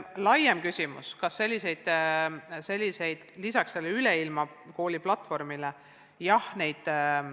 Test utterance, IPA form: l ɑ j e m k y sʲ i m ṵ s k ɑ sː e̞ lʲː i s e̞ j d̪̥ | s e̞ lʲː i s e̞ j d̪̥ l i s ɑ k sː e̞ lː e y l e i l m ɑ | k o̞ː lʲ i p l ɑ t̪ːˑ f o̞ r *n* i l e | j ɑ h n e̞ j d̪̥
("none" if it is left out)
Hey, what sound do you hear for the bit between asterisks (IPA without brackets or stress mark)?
m